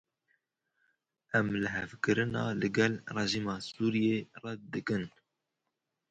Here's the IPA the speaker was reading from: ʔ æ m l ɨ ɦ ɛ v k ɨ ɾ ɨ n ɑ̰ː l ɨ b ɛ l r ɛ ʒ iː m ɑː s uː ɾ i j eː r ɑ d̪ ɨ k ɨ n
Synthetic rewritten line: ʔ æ m l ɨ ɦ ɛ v k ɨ ɾ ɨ n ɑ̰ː l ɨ ɡ ɛ l r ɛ ʒ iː m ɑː s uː ɾ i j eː r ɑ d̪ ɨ k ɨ n